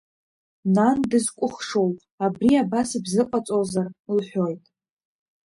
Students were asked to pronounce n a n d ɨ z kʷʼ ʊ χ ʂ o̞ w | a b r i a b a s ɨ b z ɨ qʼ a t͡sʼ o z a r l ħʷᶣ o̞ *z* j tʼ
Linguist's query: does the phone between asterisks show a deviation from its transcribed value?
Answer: yes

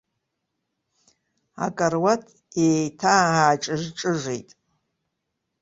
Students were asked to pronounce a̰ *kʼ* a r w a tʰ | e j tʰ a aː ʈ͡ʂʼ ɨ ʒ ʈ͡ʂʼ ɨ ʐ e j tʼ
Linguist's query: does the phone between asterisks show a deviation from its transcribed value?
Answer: no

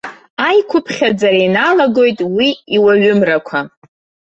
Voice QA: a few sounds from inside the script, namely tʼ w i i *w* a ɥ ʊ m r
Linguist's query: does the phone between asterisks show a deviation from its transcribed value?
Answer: no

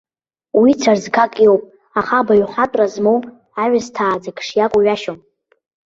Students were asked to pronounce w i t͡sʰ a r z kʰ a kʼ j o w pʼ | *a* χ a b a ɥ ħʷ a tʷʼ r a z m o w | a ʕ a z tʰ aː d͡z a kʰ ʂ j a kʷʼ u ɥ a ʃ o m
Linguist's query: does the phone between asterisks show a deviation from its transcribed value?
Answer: no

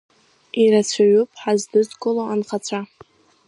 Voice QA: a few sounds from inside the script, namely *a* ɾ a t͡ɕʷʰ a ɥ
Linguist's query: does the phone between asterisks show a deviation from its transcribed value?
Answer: yes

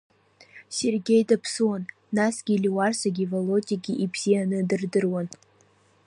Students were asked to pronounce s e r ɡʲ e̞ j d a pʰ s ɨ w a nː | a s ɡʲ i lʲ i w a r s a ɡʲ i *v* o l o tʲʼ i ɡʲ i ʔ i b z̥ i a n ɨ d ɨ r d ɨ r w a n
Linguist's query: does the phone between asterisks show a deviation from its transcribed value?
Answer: no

